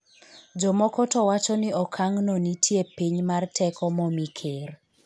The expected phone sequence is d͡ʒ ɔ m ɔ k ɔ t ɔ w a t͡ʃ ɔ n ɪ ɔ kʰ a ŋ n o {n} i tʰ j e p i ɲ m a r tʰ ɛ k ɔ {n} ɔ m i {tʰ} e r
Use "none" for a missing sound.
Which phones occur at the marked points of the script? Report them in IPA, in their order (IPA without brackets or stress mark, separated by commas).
n, m, kʰ